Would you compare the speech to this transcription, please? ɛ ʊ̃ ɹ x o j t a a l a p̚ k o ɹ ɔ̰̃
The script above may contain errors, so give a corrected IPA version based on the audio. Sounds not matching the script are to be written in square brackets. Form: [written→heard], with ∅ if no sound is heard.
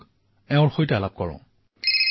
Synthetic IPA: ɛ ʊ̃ ɹ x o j t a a l a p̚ k [o→ɔ] ɹ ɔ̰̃